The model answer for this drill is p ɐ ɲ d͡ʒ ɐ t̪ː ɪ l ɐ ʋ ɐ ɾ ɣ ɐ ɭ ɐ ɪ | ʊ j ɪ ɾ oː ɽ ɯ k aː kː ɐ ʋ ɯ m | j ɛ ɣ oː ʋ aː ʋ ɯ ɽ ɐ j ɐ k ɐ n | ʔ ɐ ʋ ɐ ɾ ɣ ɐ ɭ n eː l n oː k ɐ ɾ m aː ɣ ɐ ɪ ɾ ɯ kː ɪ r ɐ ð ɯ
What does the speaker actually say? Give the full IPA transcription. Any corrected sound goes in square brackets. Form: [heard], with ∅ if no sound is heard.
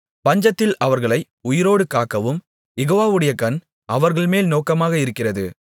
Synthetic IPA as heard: p ɐ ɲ d͡ʒ ɐ t̪ː ɪ l ɐ ʋ ɐ ɾ ɣ ɐ ɭ ɐ ɪ | ʊ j ɪ ɾ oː ɽ ɯ k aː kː ɐ ʋ ɯ m | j ɛ ɣ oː ʋ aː ʋ ɯ ɽ ɐ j ɐ k ɐ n | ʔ ɐ ʋ ɐ ɾ ɣ ɐ ɭ [m] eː l n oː k ɐ [∅] m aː ɣ ɐ ɪ ɾ ɯ kː ɪ r ɐ ð ɯ